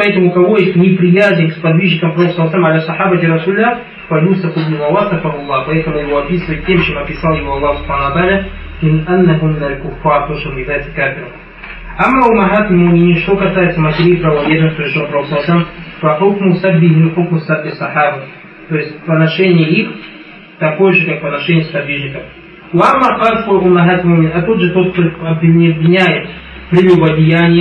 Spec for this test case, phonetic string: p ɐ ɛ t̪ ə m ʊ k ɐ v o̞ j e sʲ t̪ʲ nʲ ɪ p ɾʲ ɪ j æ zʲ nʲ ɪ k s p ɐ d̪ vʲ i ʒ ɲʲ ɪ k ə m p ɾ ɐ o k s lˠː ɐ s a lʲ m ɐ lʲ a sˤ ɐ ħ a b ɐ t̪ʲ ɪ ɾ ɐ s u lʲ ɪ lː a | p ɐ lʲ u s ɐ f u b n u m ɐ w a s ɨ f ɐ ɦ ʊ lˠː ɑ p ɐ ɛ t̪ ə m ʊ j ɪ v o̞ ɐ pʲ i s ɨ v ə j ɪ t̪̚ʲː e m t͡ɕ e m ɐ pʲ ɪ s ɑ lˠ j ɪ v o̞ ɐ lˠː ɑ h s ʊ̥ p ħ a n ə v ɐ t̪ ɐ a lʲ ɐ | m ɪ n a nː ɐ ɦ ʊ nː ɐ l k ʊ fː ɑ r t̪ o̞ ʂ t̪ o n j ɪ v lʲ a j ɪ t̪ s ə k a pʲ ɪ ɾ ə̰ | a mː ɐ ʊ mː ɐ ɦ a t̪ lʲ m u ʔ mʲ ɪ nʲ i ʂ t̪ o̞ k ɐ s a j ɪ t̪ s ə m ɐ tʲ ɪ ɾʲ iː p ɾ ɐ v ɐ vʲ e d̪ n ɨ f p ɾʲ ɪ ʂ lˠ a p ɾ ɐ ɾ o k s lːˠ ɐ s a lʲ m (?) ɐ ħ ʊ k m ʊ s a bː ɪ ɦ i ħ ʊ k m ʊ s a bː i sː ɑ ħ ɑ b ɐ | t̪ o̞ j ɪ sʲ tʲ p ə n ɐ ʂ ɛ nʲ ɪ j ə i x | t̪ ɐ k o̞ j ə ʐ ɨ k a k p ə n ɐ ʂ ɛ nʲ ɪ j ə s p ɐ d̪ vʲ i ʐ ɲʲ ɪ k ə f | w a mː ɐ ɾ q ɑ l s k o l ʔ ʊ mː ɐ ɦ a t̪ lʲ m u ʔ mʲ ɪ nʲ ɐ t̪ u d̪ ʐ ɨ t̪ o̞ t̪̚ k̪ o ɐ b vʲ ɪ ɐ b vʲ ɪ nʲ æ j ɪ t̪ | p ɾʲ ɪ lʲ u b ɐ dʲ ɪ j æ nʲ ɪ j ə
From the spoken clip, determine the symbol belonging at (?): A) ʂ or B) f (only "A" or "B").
B